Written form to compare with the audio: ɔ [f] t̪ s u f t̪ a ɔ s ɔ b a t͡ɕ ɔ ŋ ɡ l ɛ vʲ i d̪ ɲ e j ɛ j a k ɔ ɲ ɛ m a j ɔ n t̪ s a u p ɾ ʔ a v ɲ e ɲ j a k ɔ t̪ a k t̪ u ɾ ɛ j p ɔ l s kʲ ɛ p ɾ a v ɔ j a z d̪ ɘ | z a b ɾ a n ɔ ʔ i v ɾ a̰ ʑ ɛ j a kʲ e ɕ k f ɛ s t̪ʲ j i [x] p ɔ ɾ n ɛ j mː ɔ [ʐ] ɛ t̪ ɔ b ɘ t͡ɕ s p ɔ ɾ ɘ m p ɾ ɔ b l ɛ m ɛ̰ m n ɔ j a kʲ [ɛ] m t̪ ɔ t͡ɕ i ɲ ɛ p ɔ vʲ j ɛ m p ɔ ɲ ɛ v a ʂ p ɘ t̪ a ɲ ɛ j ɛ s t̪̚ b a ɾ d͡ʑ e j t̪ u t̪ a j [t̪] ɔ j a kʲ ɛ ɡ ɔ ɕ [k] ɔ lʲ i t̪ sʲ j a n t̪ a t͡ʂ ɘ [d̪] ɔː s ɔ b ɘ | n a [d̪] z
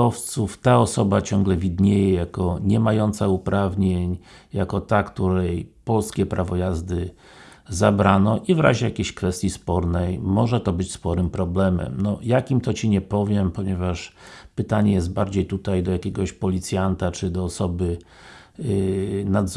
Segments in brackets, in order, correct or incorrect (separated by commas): correct, incorrect, correct, incorrect, incorrect, incorrect, correct, correct